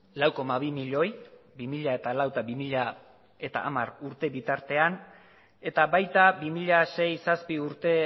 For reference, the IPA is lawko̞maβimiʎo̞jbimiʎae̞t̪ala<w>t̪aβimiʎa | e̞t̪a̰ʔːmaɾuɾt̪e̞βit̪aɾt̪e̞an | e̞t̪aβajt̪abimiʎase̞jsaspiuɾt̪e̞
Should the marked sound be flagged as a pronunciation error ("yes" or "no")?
no